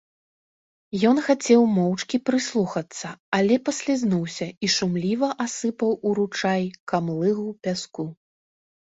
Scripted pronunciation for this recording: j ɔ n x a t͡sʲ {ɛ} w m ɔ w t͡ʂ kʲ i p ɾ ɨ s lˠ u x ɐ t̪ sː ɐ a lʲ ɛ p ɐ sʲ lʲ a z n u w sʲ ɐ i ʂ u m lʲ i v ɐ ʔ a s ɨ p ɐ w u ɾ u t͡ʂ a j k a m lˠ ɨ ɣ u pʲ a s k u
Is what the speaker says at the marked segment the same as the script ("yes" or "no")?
yes